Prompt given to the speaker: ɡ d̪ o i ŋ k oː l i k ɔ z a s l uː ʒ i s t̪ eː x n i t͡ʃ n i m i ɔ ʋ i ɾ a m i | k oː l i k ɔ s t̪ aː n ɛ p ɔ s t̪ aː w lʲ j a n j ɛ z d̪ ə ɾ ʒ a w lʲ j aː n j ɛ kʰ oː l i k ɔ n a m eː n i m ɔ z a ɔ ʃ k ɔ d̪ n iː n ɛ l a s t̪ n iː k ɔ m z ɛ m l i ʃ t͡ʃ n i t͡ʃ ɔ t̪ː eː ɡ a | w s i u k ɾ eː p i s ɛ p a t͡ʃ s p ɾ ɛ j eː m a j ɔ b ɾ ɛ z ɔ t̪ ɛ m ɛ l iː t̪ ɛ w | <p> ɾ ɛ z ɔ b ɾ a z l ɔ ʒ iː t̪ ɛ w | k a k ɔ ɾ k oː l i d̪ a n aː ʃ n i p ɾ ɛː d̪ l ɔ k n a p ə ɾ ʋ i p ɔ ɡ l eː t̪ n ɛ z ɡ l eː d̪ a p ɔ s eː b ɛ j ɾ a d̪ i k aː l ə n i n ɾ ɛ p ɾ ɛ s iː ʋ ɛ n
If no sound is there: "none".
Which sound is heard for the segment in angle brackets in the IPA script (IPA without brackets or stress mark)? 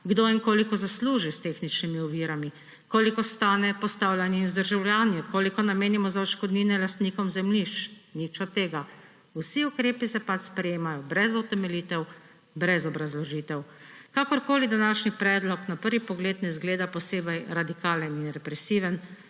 b